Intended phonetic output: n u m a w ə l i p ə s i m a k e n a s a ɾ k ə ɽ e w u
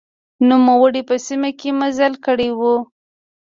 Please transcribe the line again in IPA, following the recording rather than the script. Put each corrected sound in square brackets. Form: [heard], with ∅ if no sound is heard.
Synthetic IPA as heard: n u m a w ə [ɽ] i p ə s i m a k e [m] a [z] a [l] k ə ɽ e w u